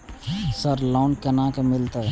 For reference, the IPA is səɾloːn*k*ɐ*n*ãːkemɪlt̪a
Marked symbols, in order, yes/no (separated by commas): yes, yes